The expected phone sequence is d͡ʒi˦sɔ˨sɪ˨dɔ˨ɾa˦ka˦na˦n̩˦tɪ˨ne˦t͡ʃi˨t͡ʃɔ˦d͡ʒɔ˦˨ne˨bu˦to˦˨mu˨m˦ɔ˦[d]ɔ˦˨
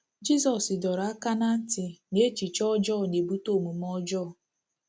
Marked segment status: incorrect: d͡ʒ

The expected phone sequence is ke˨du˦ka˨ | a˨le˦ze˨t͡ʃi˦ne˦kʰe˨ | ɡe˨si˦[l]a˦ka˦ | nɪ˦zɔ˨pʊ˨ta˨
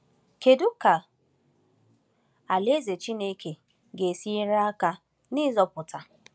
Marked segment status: incorrect: ɾ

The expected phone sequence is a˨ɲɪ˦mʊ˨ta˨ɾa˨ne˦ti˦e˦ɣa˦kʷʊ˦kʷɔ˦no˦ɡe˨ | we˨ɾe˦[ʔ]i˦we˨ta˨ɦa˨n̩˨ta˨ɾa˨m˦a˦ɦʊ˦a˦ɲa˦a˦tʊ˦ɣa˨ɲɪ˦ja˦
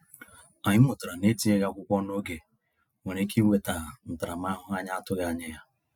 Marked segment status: incorrect: k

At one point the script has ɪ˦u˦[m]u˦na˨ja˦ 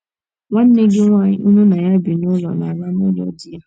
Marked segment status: incorrect: n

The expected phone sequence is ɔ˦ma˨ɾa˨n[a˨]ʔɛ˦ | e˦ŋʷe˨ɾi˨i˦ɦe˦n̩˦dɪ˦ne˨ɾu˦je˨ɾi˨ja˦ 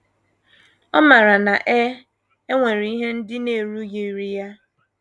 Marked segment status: correct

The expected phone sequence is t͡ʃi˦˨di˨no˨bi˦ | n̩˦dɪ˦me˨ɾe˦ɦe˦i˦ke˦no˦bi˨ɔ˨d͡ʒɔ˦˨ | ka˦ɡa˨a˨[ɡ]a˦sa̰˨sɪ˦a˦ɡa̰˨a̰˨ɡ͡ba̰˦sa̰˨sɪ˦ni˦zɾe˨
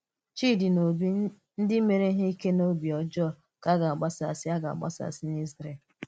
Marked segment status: incorrect: ɡ͡b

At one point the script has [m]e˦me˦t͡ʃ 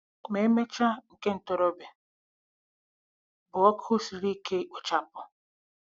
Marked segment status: correct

